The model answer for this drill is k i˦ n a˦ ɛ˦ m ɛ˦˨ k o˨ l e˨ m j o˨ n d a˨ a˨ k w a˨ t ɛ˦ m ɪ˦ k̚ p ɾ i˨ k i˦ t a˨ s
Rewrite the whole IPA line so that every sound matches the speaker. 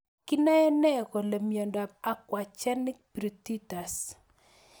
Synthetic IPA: k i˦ n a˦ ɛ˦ n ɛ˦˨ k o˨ l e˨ m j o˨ n d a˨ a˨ k w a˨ t͡ʃ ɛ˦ n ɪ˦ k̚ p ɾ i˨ t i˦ t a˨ s